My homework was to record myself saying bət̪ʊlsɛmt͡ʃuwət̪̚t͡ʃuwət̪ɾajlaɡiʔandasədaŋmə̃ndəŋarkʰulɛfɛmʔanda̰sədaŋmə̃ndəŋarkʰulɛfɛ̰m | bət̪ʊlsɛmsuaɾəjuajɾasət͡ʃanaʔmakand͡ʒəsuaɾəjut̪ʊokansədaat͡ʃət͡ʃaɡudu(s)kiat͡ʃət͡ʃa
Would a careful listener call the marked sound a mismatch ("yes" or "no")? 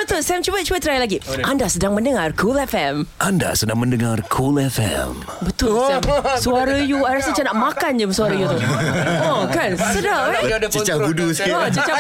no